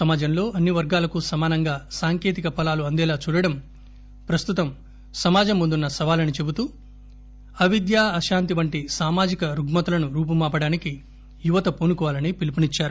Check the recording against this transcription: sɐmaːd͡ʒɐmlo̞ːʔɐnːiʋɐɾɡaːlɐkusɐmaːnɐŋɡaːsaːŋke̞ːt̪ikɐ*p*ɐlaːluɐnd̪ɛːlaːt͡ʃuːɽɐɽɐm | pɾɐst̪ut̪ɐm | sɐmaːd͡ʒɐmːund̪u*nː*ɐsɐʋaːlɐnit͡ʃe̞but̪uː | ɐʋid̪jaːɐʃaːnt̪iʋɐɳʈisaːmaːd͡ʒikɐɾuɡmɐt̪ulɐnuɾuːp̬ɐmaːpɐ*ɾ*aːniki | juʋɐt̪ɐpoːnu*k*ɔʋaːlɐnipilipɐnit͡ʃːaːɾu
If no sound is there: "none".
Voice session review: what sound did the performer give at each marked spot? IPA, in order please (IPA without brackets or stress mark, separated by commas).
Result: p, nː, ɽ, k